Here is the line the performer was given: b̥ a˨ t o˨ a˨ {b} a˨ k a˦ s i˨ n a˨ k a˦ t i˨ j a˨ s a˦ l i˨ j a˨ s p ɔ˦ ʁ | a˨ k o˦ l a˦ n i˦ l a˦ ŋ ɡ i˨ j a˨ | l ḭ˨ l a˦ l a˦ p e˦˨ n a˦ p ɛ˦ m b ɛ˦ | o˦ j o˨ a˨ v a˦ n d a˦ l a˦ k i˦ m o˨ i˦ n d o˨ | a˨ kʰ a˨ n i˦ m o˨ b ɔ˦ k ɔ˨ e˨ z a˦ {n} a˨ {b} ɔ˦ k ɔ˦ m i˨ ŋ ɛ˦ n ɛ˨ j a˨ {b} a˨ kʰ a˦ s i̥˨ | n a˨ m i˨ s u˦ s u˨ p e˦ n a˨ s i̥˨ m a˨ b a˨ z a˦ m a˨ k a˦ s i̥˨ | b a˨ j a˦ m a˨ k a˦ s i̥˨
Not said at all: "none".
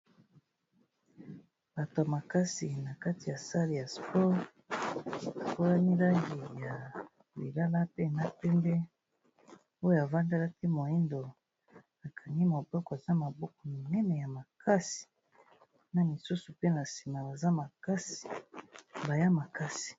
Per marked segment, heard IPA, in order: m, m, b, m

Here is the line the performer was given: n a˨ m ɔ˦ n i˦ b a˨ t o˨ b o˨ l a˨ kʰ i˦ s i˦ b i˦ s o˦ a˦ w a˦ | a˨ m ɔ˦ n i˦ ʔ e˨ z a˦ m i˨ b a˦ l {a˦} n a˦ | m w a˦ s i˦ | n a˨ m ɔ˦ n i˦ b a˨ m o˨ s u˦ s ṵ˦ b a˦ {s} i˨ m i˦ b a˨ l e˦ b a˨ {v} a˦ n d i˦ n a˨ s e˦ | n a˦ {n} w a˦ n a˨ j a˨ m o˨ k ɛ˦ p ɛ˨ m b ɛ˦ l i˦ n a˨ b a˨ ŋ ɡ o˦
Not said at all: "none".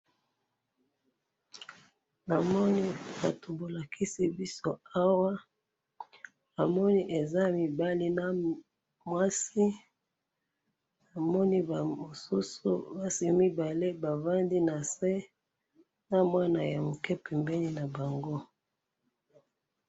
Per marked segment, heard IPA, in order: i˦, s, v, m

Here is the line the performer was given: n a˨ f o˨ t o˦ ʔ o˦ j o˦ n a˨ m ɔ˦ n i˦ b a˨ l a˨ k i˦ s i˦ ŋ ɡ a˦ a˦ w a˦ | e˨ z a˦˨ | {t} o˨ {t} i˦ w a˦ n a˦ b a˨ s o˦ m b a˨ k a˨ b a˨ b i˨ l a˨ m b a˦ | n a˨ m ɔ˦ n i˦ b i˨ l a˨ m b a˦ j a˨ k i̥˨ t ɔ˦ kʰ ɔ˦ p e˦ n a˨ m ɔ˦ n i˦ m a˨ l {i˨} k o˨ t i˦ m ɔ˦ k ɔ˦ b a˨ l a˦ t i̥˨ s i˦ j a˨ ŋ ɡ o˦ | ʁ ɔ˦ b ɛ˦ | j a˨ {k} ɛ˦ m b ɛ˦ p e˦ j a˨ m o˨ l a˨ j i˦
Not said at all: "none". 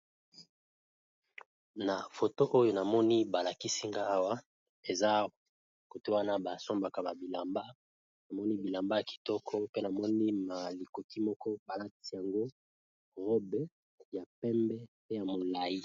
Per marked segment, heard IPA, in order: k, t, i˨, p

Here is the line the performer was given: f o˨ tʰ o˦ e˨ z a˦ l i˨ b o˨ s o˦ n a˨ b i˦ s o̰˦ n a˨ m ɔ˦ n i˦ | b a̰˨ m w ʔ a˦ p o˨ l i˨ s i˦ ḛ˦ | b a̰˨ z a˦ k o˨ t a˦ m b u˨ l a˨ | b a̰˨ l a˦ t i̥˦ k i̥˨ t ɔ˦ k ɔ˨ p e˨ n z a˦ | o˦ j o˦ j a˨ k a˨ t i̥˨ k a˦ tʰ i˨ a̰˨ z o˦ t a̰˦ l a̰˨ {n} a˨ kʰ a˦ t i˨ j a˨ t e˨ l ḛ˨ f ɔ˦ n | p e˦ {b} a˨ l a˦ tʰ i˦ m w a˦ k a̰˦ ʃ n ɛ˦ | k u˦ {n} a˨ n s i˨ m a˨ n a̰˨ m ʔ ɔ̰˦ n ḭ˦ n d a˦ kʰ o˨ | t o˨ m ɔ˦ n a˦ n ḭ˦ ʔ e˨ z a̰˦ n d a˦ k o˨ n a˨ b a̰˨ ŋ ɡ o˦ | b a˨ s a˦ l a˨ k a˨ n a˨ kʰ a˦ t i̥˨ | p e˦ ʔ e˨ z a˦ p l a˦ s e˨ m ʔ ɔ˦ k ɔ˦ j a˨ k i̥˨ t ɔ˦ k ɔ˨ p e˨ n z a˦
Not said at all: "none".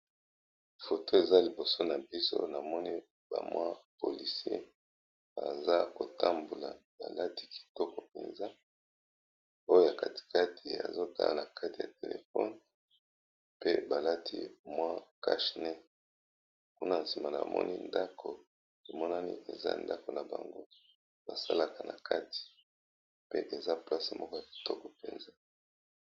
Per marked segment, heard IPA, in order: n, b, n

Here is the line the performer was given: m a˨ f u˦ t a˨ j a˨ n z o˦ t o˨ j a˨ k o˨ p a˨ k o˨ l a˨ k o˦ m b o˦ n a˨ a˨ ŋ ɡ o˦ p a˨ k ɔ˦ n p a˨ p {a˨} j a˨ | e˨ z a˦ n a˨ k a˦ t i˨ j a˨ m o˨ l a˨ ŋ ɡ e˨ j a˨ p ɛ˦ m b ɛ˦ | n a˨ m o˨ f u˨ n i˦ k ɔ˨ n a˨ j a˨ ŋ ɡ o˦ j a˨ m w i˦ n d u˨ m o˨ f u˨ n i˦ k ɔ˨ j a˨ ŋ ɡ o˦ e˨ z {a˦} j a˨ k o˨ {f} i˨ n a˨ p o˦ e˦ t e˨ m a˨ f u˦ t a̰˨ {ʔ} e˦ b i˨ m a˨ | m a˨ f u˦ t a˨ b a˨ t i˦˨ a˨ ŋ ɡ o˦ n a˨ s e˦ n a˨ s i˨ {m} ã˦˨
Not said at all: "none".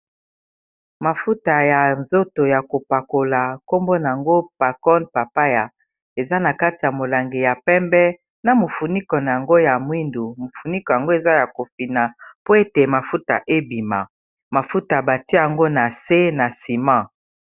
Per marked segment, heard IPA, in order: a˦, a˦, f, ʔ, m

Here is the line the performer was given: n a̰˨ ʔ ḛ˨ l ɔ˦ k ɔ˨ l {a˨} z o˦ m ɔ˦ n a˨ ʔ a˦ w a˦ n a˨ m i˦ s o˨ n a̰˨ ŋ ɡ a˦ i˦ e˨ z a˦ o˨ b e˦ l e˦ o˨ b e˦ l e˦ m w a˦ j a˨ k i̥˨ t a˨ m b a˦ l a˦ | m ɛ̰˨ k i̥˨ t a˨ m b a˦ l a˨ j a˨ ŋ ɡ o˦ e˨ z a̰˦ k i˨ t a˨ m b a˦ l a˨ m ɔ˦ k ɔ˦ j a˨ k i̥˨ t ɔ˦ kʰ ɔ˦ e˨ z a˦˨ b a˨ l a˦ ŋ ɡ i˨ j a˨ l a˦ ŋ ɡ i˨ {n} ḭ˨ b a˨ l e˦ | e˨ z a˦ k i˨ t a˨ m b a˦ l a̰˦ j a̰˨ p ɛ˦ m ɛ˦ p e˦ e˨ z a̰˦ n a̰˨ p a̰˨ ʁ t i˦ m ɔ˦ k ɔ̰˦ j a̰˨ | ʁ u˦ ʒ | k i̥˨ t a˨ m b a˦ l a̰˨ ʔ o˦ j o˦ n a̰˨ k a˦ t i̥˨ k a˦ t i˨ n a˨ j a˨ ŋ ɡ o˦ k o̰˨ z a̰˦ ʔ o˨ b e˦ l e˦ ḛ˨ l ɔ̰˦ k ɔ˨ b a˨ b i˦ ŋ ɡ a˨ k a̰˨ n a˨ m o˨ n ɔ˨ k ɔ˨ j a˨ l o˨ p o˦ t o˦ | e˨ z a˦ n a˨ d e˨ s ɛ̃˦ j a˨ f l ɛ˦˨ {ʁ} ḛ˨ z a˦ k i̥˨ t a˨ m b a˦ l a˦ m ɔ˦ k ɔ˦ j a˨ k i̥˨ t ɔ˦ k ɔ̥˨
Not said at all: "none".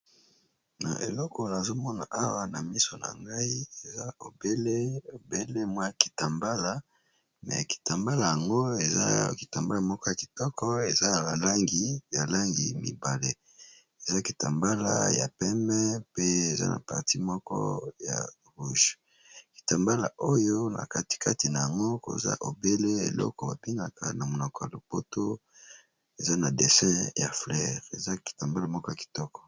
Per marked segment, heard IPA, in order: a˨, m, ʁ

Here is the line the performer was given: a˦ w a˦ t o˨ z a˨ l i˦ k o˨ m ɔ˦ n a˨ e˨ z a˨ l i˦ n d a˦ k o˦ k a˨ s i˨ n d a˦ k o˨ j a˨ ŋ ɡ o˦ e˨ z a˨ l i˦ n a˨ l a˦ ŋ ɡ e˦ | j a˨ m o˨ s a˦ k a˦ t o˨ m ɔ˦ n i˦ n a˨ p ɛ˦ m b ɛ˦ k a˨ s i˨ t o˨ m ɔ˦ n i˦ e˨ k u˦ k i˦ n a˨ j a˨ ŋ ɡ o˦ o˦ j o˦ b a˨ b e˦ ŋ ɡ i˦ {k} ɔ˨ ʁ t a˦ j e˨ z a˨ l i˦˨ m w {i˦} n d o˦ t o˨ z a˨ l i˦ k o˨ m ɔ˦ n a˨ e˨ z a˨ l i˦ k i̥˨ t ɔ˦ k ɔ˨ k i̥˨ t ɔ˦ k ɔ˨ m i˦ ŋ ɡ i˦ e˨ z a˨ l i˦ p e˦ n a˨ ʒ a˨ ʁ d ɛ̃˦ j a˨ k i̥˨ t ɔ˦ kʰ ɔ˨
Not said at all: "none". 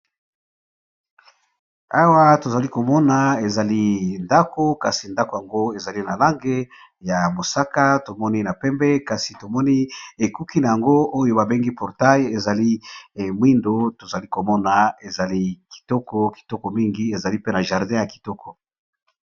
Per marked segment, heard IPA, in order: p, i˦

